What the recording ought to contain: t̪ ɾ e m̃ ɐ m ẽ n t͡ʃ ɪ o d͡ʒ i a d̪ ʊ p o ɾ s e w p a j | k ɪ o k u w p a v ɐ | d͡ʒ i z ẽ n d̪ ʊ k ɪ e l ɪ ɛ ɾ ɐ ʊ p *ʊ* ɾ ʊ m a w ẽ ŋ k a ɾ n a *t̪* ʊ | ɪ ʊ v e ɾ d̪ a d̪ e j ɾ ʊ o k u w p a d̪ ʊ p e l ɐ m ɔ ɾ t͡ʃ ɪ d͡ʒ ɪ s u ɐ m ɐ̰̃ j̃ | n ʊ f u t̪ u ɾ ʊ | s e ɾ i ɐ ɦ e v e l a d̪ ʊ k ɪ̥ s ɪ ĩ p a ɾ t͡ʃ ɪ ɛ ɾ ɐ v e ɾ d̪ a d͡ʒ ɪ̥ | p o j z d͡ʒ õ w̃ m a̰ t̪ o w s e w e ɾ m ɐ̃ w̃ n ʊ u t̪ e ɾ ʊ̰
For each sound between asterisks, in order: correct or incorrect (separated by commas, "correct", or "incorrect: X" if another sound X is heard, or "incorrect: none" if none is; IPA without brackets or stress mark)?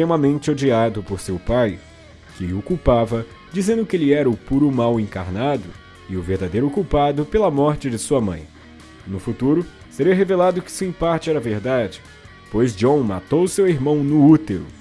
incorrect: u, incorrect: d̪